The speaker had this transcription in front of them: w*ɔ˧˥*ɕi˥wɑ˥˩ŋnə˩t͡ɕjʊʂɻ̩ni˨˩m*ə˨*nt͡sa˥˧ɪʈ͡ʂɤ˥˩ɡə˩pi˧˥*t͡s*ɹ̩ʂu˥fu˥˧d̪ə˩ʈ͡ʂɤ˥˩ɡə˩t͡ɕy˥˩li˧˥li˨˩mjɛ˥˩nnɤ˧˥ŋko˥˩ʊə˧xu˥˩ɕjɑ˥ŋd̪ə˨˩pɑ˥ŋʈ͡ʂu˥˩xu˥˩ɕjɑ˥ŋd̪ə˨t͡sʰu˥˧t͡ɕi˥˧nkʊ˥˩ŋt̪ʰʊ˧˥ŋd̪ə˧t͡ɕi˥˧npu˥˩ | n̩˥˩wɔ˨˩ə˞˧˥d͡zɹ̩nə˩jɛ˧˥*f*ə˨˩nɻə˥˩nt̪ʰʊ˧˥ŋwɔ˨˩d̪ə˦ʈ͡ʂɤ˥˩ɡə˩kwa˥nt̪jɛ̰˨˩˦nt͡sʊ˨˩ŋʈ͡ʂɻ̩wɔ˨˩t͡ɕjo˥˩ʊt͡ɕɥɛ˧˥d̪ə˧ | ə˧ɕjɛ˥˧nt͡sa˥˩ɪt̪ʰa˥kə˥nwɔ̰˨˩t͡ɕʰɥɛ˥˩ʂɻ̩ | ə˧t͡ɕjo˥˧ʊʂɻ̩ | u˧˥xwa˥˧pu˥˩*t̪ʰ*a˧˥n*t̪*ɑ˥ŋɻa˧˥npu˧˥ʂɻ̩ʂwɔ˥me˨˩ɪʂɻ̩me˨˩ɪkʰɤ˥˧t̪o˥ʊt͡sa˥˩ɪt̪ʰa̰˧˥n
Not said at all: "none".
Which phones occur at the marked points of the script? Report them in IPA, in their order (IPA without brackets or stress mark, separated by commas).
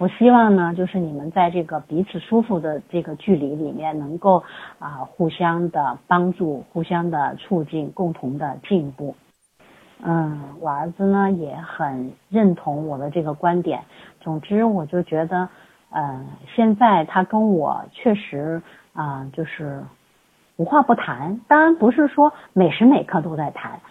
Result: ɔ˨˩, ə˦, t͡sʰ, x, t̪ʰ, t̪